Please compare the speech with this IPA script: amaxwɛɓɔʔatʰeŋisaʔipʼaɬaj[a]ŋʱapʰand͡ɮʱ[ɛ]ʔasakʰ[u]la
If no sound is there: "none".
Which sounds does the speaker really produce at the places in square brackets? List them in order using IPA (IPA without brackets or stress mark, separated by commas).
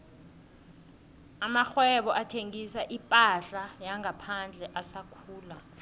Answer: a, ɛ, uː